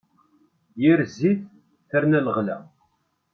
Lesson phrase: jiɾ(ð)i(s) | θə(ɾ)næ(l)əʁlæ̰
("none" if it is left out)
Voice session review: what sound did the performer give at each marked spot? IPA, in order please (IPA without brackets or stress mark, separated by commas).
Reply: z, θ, ɾ, l